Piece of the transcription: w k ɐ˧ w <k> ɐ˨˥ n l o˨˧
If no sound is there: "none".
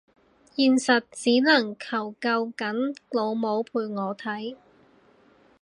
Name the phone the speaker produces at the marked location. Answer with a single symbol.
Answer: k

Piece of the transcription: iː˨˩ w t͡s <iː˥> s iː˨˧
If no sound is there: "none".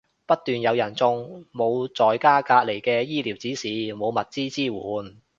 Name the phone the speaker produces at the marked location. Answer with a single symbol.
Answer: iː˨˥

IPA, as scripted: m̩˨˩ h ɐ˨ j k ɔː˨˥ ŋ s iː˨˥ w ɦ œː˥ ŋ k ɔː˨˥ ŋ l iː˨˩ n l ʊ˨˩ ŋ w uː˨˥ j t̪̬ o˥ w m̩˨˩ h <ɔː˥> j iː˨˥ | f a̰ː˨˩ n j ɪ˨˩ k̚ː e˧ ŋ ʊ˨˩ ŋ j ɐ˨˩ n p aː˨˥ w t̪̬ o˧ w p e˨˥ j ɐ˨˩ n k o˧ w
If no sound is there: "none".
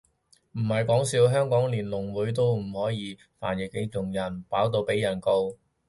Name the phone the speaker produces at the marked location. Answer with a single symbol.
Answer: ɔː˨˥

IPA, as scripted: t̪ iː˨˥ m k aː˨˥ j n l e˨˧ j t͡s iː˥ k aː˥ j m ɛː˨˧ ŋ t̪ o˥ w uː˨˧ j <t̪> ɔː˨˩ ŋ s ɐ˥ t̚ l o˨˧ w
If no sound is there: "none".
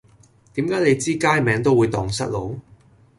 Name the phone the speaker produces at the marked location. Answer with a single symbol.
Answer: t̪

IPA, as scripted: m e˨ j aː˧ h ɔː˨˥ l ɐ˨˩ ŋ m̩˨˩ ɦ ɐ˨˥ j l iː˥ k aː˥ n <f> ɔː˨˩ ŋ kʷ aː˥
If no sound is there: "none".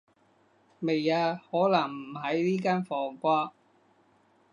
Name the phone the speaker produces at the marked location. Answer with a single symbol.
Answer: f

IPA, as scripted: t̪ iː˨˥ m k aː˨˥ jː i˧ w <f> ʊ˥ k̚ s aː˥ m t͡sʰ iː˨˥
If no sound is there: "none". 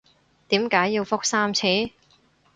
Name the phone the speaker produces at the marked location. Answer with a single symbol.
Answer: f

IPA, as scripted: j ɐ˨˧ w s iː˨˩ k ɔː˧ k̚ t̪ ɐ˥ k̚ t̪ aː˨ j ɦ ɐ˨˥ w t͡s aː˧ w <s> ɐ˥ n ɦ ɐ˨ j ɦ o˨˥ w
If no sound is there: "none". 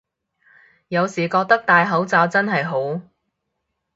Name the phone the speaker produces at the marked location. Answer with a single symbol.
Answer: t͡s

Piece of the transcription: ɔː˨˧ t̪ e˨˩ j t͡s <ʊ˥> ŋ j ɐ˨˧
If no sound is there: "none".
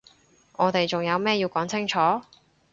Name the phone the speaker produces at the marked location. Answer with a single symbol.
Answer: ʊ˨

